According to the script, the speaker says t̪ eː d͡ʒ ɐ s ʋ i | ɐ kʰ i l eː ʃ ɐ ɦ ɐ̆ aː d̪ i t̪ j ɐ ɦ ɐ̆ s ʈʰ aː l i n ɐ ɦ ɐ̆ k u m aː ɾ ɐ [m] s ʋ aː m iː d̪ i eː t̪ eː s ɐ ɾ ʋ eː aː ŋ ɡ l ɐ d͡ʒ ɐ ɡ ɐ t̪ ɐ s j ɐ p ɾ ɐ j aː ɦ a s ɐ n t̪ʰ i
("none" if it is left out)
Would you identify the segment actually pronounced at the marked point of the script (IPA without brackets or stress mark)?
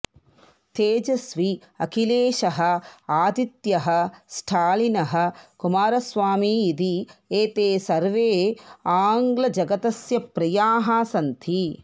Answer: none